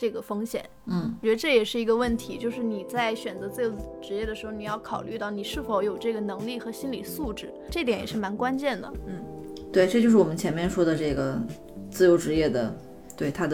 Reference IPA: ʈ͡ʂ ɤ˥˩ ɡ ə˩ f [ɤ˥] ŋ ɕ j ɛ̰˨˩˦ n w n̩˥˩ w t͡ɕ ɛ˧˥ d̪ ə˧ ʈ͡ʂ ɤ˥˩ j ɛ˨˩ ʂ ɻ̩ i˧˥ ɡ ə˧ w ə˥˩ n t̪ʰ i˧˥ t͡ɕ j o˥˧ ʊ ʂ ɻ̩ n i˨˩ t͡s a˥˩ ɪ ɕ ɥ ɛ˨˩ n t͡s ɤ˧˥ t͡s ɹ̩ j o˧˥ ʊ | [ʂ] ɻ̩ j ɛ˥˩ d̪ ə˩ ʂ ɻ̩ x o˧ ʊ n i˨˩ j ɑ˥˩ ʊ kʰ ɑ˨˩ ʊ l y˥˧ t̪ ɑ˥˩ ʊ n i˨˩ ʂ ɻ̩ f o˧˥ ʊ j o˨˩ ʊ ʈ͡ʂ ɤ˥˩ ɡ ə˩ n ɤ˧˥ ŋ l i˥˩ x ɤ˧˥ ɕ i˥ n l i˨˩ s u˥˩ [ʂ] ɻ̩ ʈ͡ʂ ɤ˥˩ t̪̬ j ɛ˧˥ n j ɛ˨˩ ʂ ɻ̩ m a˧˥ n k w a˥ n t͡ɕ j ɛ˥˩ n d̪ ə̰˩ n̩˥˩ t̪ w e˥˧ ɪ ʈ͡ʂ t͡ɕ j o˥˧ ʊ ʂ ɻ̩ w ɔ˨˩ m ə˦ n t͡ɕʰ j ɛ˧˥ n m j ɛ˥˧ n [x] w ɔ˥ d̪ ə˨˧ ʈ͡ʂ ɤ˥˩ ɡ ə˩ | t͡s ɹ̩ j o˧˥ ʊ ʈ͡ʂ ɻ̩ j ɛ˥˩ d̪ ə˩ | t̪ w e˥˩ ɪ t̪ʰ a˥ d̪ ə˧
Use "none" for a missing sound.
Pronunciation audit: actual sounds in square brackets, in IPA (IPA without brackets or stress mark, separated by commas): ɤ˥, ʈ͡ʂ, ʈ͡ʂ, ʂ